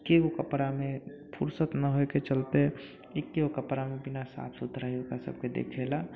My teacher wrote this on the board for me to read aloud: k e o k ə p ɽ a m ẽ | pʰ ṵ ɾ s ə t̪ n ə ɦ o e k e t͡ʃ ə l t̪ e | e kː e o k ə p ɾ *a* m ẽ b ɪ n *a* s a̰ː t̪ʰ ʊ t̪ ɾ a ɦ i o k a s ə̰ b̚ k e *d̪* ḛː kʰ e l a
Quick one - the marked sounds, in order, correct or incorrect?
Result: correct, correct, correct

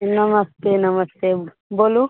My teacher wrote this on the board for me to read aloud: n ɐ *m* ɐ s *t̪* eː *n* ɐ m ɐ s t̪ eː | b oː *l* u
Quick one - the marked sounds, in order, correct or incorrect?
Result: correct, correct, correct, correct

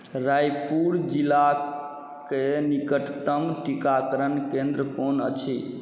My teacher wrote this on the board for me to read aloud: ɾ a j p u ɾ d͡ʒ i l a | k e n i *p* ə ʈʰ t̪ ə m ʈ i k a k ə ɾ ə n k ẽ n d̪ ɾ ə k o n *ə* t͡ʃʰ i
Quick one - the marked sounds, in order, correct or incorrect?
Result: incorrect: k, correct

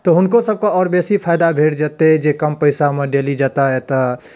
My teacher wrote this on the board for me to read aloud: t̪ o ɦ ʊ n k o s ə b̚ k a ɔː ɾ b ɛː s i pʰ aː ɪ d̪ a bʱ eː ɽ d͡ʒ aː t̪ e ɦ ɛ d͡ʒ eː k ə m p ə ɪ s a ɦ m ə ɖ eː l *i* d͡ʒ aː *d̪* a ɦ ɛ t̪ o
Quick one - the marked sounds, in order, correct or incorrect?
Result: correct, incorrect: t̪

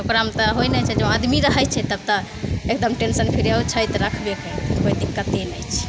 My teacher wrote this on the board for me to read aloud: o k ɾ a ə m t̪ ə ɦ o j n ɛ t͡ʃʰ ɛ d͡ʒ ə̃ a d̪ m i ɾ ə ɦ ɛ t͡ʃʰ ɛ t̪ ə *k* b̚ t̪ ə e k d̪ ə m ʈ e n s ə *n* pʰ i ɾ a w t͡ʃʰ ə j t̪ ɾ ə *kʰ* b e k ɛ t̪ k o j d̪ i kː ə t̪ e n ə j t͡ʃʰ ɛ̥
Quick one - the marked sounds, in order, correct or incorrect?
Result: incorrect: none, correct, correct

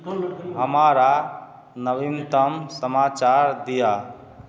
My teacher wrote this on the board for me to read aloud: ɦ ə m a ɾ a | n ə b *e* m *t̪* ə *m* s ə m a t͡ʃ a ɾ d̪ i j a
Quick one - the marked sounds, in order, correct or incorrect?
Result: incorrect: i, correct, correct

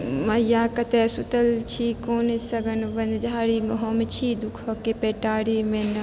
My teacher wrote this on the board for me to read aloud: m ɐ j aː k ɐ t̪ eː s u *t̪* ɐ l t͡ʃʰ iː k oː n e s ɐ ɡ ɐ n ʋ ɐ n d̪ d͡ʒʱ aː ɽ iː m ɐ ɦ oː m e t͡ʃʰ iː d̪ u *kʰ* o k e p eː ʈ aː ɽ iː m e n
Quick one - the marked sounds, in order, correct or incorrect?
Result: correct, correct

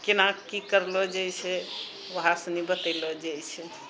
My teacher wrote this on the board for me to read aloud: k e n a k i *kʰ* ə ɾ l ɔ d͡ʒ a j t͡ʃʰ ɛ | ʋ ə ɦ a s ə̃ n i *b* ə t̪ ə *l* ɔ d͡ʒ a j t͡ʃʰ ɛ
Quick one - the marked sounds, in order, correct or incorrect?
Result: incorrect: k, correct, correct

